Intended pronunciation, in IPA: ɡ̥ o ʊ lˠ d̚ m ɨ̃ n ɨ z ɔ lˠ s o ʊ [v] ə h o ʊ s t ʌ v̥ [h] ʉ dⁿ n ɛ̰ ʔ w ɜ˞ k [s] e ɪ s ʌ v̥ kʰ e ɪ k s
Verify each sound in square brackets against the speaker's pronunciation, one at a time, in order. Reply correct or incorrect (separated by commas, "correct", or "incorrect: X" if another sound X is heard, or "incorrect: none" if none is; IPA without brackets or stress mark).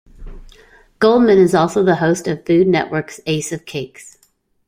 incorrect: ð, incorrect: f, correct